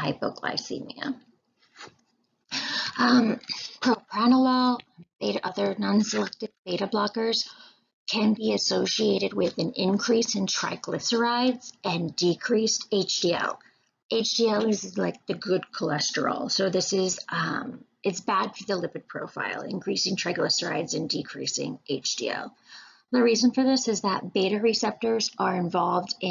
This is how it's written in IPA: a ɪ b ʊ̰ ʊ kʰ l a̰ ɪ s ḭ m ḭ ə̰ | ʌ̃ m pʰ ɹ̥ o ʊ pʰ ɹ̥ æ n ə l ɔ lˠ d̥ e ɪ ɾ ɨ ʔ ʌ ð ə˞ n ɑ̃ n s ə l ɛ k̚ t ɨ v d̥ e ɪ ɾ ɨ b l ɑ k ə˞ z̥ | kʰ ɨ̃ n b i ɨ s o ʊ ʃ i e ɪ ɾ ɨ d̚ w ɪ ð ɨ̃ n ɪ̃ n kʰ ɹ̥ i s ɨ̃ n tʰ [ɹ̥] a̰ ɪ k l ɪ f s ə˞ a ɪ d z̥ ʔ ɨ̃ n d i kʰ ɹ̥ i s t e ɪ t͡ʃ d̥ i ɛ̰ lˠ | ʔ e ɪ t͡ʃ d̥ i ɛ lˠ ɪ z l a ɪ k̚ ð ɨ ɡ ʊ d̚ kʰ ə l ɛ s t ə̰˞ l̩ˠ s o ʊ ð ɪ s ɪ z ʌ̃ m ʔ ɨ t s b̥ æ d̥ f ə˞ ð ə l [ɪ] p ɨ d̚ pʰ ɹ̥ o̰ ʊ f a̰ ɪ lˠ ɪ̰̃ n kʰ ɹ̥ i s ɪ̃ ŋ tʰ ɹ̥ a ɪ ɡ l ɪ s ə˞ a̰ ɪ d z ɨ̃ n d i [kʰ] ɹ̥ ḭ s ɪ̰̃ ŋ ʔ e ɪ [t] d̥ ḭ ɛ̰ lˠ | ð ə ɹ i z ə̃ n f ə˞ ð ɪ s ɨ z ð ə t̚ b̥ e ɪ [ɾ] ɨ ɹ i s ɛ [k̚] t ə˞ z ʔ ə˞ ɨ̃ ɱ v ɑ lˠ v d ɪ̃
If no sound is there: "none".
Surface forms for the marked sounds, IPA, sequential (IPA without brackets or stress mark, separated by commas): ɹ̥, ɪ, kʰ, t͡ʃ, ɾ, p̚